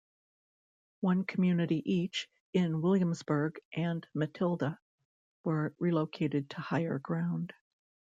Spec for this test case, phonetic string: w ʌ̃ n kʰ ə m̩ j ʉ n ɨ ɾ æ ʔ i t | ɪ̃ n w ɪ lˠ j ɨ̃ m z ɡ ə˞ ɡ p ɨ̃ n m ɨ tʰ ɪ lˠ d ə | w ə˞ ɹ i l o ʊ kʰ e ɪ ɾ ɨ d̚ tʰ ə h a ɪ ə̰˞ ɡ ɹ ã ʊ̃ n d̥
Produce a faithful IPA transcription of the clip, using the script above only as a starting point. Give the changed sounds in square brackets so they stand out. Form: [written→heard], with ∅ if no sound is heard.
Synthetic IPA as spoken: w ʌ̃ n kʰ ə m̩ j ʉ n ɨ ɾ [æ→i] ʔ i [t→t͡ʃ] | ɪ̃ n w ɪ lˠ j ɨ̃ m z [ɡ→b] ə˞ ɡ [p→ʔ] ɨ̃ n m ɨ tʰ ɪ lˠ d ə | w ə˞ ɹ i l o ʊ kʰ e ɪ ɾ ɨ d̚ tʰ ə h a ɪ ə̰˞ ɡ ɹ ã ʊ̃ n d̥

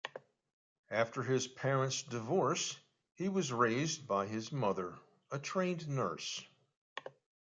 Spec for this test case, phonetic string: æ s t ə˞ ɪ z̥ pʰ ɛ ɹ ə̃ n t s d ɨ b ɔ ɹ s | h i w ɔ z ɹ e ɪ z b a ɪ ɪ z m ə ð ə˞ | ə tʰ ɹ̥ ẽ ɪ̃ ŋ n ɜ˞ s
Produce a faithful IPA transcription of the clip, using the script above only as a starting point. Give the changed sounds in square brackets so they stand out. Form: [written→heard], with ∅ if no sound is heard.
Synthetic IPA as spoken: æ [s→f] t ə˞ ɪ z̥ pʰ ɛ ɹ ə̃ n t s d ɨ [b→v] ɔ ɹ s | h i w [ɔ→ʌ] z ɹ e ɪ z b a ɪ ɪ z m [ə→ʌ] ð ə˞ | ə tʰ ɹ̥ ẽ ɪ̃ [ŋ→n] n ɜ˞ s

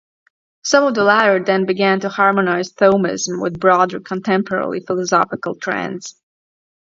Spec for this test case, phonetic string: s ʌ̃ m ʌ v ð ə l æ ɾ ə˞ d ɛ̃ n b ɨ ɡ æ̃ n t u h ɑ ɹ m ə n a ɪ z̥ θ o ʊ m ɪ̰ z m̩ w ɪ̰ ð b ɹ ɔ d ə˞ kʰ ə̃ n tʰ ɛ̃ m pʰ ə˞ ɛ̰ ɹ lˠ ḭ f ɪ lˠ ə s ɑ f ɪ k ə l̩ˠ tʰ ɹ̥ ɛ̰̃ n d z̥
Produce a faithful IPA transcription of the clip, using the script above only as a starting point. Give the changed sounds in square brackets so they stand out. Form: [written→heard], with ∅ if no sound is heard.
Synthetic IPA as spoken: s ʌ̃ m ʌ v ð ə l æ ɾ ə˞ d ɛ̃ n b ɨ ɡ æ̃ n t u h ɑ ɹ m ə n a ɪ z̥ θ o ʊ m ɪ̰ z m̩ w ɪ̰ ð b ɹ ɔ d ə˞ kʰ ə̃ n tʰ ɛ̃ m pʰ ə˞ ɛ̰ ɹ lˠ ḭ f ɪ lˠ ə s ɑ f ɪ k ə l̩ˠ tʰ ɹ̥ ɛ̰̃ n d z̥

